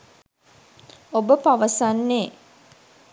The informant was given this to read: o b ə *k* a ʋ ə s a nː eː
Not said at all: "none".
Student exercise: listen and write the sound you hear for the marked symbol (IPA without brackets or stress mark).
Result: p